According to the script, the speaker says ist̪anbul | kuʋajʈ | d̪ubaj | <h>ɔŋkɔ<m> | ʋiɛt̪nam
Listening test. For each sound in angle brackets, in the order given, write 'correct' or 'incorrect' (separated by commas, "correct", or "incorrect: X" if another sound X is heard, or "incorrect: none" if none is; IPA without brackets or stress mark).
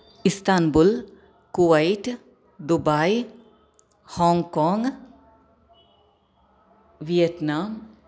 correct, incorrect: ŋ